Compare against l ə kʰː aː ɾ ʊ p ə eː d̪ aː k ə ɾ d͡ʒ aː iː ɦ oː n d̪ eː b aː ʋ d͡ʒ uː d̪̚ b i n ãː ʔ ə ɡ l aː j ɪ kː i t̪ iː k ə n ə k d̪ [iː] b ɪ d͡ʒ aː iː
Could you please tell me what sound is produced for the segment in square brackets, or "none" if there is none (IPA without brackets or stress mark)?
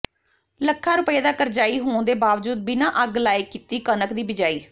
iː